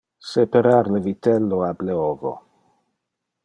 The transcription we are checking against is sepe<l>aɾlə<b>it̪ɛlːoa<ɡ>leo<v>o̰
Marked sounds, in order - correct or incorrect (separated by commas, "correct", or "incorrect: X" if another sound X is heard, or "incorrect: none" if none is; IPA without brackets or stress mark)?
incorrect: ɾ, incorrect: v, incorrect: b, correct